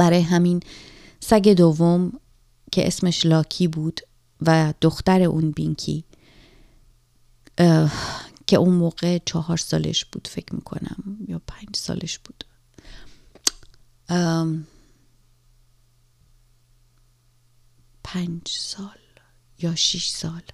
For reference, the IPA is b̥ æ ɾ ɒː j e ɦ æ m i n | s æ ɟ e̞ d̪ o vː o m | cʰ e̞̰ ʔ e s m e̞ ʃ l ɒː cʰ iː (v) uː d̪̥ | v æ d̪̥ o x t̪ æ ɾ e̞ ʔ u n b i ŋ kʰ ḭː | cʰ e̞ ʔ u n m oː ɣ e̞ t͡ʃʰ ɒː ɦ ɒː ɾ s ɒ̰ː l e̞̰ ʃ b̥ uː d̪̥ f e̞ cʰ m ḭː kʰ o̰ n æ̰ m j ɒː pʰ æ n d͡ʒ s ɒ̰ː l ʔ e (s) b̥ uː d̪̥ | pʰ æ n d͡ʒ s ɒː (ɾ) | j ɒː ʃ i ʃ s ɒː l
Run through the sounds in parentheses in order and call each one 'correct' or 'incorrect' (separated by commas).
incorrect, incorrect, incorrect